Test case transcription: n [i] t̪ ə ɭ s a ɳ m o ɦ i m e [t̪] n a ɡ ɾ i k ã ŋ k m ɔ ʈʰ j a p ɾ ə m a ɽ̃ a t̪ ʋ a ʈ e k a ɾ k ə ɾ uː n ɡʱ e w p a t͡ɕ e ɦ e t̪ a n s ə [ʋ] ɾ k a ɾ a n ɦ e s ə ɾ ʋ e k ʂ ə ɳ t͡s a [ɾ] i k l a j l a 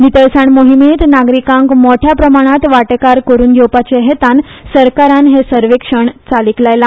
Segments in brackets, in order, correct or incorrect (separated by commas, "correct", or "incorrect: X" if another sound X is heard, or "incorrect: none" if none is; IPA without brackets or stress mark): correct, correct, incorrect: none, incorrect: l